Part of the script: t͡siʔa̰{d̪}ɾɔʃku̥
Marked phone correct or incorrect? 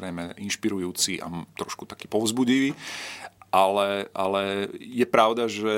incorrect